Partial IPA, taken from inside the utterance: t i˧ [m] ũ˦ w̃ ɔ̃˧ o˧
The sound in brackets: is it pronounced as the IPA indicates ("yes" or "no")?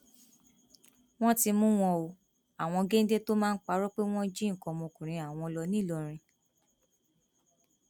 yes